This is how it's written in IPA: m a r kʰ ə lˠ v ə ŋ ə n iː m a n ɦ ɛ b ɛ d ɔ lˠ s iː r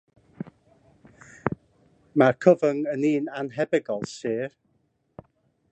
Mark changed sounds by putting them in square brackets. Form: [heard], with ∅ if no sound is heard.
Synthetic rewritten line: m a r kʰ ə [∅] v ə ŋ ə n iː [n] a n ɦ ɛ b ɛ [ɡ] ɔ lˠ s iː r

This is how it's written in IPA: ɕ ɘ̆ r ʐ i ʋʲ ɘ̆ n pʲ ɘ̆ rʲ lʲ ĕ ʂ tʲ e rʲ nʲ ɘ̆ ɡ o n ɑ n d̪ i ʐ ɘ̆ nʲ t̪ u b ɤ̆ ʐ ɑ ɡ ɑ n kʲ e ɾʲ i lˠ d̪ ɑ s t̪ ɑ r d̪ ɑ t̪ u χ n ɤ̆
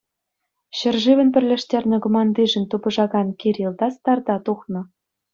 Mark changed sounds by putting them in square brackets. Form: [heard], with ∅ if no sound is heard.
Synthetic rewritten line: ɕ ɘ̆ r ʐ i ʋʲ ɘ̆ n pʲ ɘ̆ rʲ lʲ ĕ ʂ tʲ e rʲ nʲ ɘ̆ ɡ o [m] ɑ n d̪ i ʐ ɘ̆ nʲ t̪ u b ɤ̆ ʐ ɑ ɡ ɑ n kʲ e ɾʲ i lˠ d̪ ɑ s t̪ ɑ r d̪ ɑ t̪ u χ n ɤ̆

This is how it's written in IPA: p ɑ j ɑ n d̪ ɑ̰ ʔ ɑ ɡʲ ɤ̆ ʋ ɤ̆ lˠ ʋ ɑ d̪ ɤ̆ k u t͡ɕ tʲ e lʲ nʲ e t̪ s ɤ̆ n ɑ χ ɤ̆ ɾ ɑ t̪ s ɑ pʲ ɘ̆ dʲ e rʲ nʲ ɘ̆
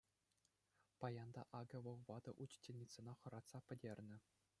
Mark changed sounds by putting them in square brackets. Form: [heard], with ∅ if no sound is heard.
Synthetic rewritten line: p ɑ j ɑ n d̪ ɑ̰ ʔ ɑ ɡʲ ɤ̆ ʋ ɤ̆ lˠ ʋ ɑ d̪ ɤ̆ [ʔ] u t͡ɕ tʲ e lʲ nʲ [i] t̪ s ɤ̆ n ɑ χ ɤ̆ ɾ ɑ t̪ s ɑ pʲ ɘ̆ dʲ e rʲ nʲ ɘ̆

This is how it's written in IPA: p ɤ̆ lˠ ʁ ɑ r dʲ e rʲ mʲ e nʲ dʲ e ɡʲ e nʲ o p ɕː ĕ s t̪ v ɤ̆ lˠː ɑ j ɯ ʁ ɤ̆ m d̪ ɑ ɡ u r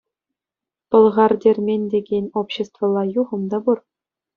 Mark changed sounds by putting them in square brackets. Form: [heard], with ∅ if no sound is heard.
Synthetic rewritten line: p ɤ̆ lˠ ʁ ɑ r dʲ e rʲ mʲ e nʲ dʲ e ɡʲ e nʲ o p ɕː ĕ s t̪ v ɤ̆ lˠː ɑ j [u] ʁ ɤ̆ m d̪ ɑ [b] u r

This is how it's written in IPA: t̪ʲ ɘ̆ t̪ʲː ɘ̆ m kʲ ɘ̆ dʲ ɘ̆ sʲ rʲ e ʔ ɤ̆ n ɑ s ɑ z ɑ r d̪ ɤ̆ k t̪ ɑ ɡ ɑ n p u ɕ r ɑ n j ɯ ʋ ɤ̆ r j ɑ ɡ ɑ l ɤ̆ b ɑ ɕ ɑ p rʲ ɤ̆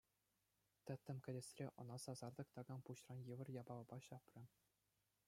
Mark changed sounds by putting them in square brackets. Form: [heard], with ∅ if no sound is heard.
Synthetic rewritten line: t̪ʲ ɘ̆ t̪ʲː ɘ̆ m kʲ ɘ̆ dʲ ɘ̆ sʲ rʲ e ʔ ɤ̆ n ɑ s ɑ z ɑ r d̪ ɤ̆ k t̪ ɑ ɡ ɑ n p u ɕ r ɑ n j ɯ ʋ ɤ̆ r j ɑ [b] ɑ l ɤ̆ b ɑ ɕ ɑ p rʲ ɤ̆

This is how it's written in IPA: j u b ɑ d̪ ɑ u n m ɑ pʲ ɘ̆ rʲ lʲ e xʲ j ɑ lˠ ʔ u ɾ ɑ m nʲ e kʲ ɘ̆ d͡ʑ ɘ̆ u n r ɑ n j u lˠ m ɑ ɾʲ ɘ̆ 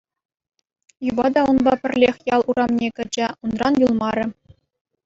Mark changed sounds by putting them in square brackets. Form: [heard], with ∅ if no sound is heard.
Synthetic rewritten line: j u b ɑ d̪ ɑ u n [b] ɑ pʲ ɘ̆ rʲ lʲ e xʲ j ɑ lˠ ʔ u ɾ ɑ m nʲ e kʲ ɘ̆ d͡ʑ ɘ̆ u n r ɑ n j u lˠ m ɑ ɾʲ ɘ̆

